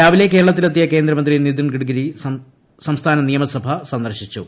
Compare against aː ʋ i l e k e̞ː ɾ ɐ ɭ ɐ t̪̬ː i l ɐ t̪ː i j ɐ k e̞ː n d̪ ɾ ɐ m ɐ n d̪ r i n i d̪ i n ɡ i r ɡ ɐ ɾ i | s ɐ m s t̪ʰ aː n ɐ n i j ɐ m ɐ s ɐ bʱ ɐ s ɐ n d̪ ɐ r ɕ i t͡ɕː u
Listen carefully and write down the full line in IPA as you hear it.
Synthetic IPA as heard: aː ʋ i l e k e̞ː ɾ ɐ ɭ ɐ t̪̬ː i l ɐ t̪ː i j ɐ k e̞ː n d̪ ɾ ɐ m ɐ n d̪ r i n i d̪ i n ɡ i ɽ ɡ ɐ ɾ i | s ɐ m s t̪ʰ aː n ɐ n i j ɐ m ɐ s ɐ bʱ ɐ s ɐ n d̪ ɐ r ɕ i t͡ɕː u